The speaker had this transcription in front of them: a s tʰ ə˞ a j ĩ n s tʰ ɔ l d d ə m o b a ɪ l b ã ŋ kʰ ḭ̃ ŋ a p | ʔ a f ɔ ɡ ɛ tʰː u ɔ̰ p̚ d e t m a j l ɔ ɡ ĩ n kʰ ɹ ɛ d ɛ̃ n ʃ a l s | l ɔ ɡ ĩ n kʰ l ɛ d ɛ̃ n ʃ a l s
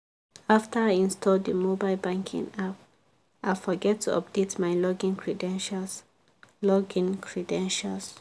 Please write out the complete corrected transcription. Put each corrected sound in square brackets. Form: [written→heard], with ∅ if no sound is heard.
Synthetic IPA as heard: a [s→f] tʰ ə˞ a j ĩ n s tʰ ɔ l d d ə m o b a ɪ l b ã ŋ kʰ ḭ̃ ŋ a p | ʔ a f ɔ ɡ ɛ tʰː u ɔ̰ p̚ d e t m a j l ɔ ɡ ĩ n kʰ ɹ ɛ d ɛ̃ n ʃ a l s | l ɔ ɡ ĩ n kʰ [l→ɹ] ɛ d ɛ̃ n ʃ a l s